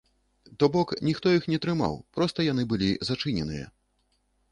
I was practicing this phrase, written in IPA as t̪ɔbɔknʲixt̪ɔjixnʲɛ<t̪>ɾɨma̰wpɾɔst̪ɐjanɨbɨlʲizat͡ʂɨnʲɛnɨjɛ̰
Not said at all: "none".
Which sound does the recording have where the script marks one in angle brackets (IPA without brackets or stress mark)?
t̪